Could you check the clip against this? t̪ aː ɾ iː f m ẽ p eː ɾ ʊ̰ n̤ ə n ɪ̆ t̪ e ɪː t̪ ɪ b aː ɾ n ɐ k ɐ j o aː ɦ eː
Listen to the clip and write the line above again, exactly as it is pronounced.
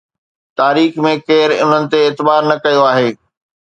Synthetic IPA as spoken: t̪ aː ɾ iː x m ẽ k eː ɾ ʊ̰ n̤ ə n ɪ̆ t̪ e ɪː t̪ ɪ b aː ɾ n ɐ k ɐ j o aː ɦ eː

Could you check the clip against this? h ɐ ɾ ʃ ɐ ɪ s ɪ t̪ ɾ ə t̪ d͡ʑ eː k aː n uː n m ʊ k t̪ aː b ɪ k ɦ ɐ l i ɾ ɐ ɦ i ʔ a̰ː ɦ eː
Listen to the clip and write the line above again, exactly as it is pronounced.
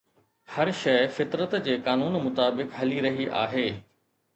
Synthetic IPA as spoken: h ɐ ɾ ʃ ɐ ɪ f ɪ t̪ ɾ ə t̪ d͡ʑ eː k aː n uː n m ʊ t̪ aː b ɪ k ɦ ɐ l i ɾ ɐ ɦ i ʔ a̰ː ɦ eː

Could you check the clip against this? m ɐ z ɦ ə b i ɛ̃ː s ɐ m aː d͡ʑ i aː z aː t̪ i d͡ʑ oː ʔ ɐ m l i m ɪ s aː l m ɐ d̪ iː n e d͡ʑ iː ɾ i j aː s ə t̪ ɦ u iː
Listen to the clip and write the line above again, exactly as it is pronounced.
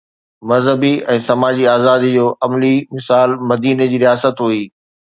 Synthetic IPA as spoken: m ɐ z ɦ ə b i ɛ̃ː s ɐ m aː d͡ʑ i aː z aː d̪ i d͡ʑ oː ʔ ɐ m l i m ɪ s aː l m ɐ d̪ iː n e d͡ʑ iː ɾ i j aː s ə t̪ ɦ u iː

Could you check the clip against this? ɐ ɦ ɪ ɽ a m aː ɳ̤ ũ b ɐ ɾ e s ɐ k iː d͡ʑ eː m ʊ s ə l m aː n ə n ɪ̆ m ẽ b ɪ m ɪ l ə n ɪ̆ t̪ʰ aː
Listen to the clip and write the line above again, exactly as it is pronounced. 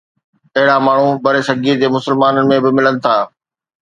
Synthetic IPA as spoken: ɐ ɦ ɪ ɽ a m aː ɳ̤ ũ b ɐ ɾ e s ɐ ɡ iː d͡ʑ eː m ʊ s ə l m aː n ə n ɪ̆ m ẽ b ɪ m ɪ l ə n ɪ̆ t̪ʰ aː

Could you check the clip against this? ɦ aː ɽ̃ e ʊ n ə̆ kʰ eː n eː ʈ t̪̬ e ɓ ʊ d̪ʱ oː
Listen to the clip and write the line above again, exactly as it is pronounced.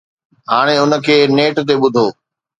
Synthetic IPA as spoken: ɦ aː ɽ̃ e ʊ n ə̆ kʰ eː n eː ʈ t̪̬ e ɓ ʊ d̪ʱ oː

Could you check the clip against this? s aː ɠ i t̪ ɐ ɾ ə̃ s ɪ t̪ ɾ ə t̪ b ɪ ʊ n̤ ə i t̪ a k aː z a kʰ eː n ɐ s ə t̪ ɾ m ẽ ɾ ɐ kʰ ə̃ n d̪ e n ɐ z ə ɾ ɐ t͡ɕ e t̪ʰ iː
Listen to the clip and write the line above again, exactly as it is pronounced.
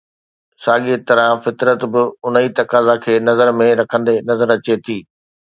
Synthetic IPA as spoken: s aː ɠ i t̪ ɐ ɾ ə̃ f ɪ t̪ ɾ ə t̪ b ɪ ʊ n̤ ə i t̪ ɐ k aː z a kʰ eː n ɐ z ə ɾ m ẽ ɾ ɐ kʰ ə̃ n d̪ e n ɐ z ə ɾ ɐ t͡ɕ e t̪ʰ iː

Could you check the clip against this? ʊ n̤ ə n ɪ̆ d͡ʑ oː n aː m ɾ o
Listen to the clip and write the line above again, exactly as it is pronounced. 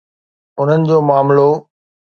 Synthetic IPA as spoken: ʊ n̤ ə n ɪ̆ d͡ʑ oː m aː m l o

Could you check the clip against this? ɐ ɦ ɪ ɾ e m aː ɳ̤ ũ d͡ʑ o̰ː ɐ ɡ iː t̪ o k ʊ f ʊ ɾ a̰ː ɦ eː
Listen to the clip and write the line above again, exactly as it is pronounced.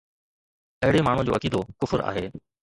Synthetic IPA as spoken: ɐ ɦ ɪ ɽ e m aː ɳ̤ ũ d͡ʑ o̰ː ɐ k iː d̪ o k ʊ f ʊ ɾ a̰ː ɦ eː

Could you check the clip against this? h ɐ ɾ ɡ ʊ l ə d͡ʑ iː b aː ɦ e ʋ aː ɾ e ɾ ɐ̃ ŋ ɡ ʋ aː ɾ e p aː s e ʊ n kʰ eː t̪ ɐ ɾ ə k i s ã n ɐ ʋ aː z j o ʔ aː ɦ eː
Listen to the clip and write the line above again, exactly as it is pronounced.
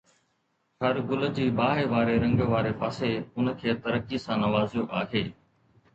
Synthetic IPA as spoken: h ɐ ɾ ɡ ʊ l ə d͡ʑ iː b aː ɦ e ʋ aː ɾ e ɾ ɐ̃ ŋ ɡ ʋ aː ɾ e p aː s e ʊ n kʰ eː t̪ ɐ ɾ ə k i s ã n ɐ ʋ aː z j o ʔ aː ɦ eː

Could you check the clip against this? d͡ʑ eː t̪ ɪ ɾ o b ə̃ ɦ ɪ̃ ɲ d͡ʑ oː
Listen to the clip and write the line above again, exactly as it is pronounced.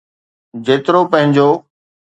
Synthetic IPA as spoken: d͡ʑ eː t̪ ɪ ɾ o p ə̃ ɦ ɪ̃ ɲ d͡ʑ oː

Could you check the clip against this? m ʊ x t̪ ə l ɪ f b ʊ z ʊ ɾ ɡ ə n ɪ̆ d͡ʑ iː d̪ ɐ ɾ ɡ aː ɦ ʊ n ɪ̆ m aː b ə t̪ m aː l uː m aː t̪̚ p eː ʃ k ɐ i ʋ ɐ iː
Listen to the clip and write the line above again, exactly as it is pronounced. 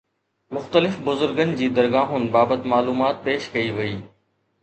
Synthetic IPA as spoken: m ʊ x t̪ ə l ɪ f b ʊ z ʊ ɾ ɡ ə n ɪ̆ d͡ʑ iː d̪ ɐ ɾ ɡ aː ɦ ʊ n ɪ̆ b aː b ə t̪ m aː l uː m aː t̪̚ p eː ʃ k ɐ i ʋ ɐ iː

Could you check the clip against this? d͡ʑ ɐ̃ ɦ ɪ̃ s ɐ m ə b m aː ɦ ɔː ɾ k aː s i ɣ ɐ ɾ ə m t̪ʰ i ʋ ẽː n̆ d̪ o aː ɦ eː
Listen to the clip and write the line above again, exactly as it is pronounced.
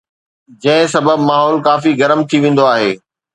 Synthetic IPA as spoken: d͡ʑ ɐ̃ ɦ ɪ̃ s ɐ b ə b m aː ɦ ɔː l k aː f i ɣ ɐ ɾ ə m t̪ʰ i ʋ ẽː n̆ d̪ o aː ɦ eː

